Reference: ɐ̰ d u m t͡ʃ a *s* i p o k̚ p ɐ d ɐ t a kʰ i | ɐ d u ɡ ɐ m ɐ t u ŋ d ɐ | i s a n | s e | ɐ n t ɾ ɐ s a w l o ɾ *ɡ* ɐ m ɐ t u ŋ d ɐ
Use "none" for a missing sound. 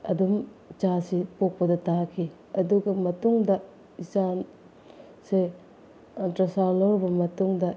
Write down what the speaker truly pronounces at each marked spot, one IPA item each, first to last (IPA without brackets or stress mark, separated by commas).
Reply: s, b